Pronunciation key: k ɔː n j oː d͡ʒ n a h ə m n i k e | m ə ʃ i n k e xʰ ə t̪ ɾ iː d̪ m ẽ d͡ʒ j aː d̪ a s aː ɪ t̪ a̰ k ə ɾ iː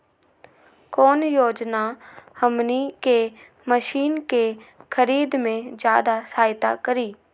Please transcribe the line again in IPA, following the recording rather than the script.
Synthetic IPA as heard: k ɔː n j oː d͡ʒ n a h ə m n i k e | m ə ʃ iː n k e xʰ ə ɾ iː d̪ m ẽ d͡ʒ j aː d̪ a s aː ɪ t̪ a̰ k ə ɾ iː